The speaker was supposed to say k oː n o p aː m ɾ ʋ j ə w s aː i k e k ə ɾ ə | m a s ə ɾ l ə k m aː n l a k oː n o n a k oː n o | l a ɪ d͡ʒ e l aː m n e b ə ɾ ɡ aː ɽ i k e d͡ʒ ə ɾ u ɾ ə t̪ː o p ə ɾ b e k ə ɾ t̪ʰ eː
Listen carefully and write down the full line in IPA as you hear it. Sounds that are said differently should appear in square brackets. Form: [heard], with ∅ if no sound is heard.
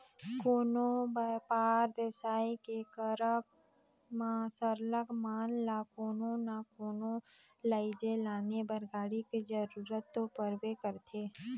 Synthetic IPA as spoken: k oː n o p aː [∅] ɾ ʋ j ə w s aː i k e k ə ɾ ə | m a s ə ɾ l ə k m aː n l a k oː n o n a k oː n o | l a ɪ d͡ʒ e l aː [∅] n e b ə ɾ ɡ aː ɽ i k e d͡ʒ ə ɾ u ɾ ə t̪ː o p ə ɾ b e k ə ɾ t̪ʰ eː